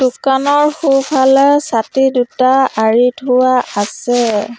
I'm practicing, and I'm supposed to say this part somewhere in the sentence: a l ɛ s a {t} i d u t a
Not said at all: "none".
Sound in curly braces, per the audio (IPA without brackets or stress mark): t